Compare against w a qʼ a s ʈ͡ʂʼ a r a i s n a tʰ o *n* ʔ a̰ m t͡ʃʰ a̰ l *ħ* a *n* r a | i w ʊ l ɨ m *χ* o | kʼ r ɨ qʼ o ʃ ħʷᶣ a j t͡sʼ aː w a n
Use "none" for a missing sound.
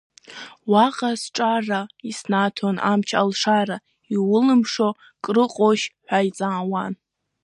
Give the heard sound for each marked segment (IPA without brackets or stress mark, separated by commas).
n, ʂ, none, ʂ